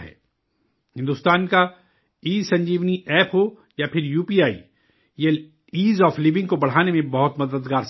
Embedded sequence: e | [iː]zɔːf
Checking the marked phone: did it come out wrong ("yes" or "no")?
no